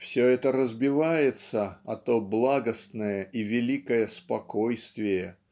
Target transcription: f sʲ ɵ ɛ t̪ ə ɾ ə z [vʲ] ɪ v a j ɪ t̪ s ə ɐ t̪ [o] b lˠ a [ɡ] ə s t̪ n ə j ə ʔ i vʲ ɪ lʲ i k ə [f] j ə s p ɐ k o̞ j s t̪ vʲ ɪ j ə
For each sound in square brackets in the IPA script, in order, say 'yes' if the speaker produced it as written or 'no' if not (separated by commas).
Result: no, yes, yes, no